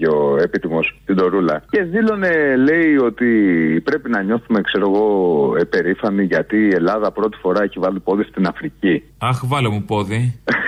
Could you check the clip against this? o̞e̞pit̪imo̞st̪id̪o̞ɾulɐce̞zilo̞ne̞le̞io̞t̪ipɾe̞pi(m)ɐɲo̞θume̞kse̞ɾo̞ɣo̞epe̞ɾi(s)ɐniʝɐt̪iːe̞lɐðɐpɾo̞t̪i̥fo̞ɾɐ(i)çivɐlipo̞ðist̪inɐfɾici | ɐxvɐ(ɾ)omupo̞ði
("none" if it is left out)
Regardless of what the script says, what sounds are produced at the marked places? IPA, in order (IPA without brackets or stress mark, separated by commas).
n, f, e, l